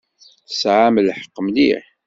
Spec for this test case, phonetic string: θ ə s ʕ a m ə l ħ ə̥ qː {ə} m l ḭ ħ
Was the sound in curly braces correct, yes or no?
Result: yes